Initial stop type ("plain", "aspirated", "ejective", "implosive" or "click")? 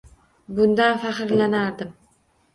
plain